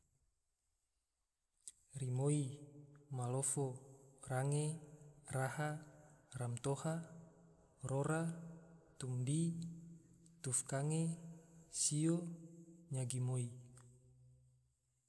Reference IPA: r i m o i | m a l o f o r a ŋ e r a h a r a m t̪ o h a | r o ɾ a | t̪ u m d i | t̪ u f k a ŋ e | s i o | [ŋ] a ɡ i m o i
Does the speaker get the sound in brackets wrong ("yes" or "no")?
yes